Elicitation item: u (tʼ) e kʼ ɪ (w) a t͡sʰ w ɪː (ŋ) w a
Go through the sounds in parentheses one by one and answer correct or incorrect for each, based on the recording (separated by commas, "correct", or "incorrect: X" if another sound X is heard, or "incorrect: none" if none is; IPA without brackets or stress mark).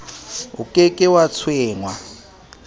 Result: incorrect: kʼ, correct, correct